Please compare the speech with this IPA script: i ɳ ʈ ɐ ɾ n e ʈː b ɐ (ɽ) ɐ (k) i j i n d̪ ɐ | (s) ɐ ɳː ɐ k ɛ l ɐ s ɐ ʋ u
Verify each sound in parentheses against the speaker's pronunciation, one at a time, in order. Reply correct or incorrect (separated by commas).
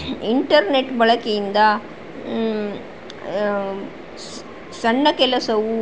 incorrect, correct, correct